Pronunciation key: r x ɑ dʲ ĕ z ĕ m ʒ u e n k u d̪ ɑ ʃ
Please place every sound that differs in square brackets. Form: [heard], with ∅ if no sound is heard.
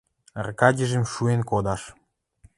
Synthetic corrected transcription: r [k] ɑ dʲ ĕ [ʒ] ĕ m [ʃ] u e n k [o] d̪ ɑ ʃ